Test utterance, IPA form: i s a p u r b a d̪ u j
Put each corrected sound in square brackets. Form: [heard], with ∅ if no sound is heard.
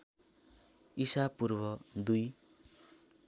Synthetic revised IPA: i s a p u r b [ʌ] d̪ u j